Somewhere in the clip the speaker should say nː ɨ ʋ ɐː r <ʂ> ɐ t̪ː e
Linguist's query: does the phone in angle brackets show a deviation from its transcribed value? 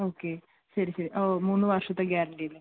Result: no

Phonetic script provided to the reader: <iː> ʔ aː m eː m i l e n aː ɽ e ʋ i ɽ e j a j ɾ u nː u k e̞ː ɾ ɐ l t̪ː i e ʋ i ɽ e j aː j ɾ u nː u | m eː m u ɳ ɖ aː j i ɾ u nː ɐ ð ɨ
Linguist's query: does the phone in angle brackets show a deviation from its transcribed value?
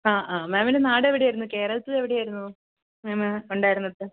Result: yes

